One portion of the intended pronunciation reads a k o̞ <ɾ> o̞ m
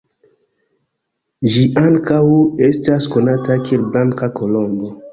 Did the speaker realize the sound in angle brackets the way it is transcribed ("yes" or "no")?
no